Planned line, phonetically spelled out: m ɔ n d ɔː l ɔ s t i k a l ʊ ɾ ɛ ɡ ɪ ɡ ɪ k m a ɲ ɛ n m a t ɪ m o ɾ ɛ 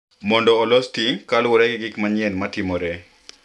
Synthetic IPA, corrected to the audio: m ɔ n d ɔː l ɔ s t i k a l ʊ ɾ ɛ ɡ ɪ ɡ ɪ k m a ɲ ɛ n m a t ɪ m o ɾ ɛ